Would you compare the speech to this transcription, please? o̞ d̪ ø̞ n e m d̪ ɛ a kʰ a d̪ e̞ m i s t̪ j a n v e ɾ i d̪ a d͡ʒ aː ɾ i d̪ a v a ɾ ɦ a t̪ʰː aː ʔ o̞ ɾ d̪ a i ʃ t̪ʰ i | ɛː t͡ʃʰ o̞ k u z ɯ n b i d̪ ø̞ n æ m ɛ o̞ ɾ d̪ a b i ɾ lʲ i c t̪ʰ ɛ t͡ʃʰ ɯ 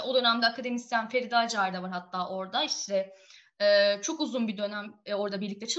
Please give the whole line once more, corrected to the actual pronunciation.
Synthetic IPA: o̞ d̪ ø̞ n æ m d̪ ɛ a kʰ a d̪ e̞ m i s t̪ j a n f e ɾ i d̪ a d͡ʒ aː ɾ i d̪ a v a ɾ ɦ a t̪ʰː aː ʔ o̞ ɾ d̪ a i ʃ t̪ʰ ɛ | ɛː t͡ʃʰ o̞ k u z u n b i d̪ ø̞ n æ m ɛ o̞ ɾ d̪ a b i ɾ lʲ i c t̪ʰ ɛ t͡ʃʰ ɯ